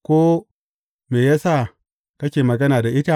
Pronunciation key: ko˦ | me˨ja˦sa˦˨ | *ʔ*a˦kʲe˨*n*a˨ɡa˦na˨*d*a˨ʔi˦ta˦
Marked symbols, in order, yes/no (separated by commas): no, no, yes